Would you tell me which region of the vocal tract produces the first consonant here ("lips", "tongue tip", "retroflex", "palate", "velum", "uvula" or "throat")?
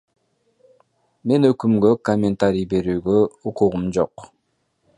lips